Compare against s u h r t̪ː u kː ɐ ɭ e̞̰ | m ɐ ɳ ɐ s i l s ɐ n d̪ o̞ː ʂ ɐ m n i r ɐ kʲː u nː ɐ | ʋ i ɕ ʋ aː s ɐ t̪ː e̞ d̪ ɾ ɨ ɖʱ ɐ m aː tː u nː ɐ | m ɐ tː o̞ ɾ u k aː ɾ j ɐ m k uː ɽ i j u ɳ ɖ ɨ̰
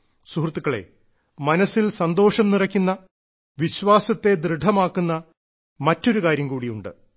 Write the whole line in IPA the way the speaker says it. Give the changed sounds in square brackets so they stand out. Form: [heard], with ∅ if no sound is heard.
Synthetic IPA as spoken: s u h r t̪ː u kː ɐ ɭ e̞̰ | m ɐ [n] ɐ s i l s ɐ n d̪ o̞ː ʂ ɐ m n i r ɐ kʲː u nː ɐ | ʋ i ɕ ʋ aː s ɐ t̪ː e̞ d̪ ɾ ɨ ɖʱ ɐ m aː [kː] u nː ɐ | m ɐ tː o̞ ɾ u k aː ɾ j ɐ m k uː ɽ i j u ɳ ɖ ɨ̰